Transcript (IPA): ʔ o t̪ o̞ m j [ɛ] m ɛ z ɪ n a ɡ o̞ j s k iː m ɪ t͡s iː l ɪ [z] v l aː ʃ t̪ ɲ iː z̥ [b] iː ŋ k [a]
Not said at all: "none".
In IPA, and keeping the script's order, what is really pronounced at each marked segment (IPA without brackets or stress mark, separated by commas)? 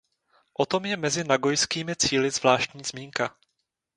ɛ, z, m, a